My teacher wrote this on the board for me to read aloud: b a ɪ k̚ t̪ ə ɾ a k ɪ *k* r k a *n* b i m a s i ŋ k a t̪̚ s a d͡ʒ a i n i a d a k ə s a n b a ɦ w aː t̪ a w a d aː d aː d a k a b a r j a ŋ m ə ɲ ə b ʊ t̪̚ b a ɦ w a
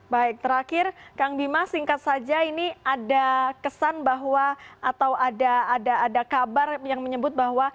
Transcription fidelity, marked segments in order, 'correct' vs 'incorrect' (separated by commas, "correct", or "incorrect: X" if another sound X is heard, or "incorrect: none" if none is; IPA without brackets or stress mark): incorrect: none, incorrect: ŋ